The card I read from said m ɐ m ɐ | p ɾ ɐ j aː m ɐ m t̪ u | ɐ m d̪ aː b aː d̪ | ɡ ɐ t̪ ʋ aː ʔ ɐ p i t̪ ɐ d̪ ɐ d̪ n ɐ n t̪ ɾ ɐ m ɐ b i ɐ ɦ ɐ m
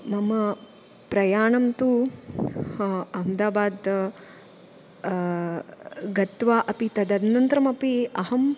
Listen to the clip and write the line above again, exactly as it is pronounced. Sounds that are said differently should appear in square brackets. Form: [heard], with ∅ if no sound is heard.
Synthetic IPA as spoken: m ɐ m ɐ | p ɾ ɐ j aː [ɳ] ɐ m t̪ u | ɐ m d̪ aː b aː d̪ | ɡ ɐ t̪ ʋ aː ʔ ɐ p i t̪ ɐ d̪ ɐ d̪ n ɐ n t̪ ɾ ɐ m ɐ [p] i ɐ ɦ ɐ m